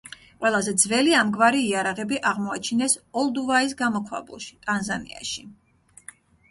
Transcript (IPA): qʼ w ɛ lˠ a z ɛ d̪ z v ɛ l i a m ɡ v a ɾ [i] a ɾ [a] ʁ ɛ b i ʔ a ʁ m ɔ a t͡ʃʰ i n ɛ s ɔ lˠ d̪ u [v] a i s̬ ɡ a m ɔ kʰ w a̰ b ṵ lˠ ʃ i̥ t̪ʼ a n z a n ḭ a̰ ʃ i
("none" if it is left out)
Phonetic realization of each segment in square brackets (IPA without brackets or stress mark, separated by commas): iː, a, v